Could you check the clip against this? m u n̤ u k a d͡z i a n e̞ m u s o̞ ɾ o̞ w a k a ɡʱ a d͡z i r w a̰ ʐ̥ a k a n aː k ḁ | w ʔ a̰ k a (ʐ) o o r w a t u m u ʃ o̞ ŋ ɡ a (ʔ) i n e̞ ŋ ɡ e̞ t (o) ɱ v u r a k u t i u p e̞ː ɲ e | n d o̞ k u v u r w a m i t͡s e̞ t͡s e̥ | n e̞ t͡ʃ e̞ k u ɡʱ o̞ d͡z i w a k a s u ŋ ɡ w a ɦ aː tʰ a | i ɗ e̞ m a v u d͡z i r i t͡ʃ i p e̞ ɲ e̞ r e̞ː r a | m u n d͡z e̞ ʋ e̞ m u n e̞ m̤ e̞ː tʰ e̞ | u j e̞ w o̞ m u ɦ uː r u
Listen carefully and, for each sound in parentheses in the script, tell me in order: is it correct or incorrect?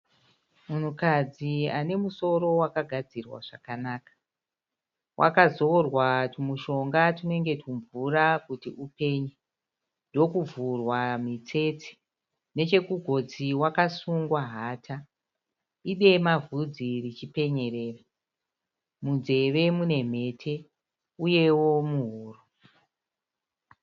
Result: incorrect, incorrect, incorrect

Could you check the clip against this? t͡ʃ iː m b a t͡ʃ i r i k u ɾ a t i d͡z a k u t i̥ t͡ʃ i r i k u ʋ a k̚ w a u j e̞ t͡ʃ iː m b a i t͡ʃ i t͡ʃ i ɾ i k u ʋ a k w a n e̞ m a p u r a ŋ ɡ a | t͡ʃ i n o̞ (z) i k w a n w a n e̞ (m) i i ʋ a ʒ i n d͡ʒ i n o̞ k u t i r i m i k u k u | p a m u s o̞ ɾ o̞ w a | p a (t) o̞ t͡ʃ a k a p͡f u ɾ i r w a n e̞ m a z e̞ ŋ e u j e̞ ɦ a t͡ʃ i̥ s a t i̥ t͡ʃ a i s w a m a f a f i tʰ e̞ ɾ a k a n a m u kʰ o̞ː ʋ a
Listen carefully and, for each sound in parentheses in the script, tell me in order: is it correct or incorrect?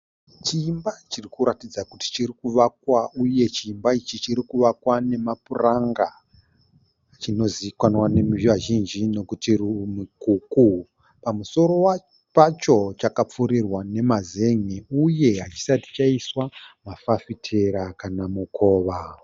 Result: correct, correct, incorrect

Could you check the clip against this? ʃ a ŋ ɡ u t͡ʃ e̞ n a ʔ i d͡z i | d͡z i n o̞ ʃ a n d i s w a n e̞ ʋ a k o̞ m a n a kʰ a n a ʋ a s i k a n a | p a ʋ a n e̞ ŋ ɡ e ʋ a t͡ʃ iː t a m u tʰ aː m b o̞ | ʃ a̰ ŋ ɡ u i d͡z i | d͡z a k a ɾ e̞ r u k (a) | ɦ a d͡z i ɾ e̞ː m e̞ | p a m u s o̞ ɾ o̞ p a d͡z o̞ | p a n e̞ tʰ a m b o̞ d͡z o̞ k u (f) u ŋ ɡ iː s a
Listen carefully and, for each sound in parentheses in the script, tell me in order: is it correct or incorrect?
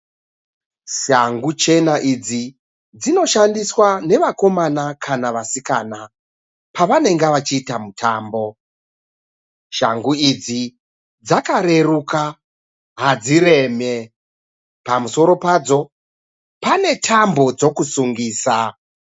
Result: correct, incorrect

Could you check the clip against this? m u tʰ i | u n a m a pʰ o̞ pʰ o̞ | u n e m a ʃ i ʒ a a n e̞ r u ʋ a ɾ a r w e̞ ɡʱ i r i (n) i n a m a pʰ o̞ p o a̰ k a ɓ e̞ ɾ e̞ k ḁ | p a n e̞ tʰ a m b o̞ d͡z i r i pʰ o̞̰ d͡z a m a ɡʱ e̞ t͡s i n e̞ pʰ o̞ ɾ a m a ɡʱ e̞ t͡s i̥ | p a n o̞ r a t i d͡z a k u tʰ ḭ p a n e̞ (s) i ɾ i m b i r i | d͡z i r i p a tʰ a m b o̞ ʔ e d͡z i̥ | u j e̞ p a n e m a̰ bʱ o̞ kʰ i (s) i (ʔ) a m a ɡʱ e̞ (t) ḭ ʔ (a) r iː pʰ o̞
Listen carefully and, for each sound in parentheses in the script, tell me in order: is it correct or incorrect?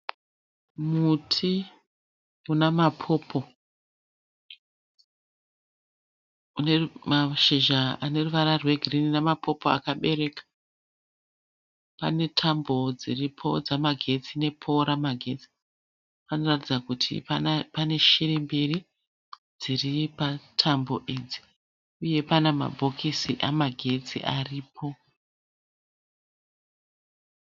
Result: correct, incorrect, correct, correct, incorrect, correct

